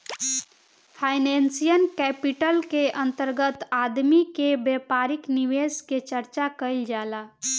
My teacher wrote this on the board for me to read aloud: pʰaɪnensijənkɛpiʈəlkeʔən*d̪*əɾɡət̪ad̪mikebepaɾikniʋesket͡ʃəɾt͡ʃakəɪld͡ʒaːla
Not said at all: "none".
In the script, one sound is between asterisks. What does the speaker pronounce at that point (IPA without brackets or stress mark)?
t̪